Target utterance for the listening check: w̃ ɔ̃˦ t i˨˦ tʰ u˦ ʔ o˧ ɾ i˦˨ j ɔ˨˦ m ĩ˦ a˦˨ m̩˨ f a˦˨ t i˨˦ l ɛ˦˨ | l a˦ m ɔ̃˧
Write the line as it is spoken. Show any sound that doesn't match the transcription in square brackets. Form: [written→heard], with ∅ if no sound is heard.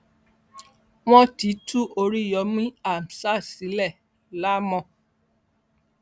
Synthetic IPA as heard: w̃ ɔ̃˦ t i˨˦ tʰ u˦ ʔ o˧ ɾ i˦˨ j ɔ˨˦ m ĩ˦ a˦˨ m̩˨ [f→s] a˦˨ [t→s] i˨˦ l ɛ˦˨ | l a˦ m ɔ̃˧